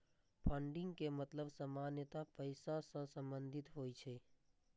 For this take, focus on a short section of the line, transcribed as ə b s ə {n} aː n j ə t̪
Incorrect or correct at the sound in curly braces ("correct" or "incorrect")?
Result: incorrect